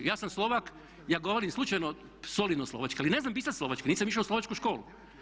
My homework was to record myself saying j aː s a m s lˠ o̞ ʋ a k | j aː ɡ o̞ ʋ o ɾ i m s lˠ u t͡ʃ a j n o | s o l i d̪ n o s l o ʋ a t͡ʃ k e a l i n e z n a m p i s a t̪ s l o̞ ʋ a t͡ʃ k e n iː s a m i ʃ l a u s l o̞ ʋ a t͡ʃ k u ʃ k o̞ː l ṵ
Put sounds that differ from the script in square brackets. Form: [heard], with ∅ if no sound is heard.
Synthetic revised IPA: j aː s a m s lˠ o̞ ʋ a k | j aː ɡ o̞ ʋ o ɾ i m s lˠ u t͡ʃ a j n o | s o l i d̪ n o s l o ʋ a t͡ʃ k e a l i n e z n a m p i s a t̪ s l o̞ ʋ a t͡ʃ k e n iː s a m i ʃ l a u s l o̞ ʋ a t͡ʃ k u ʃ k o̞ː l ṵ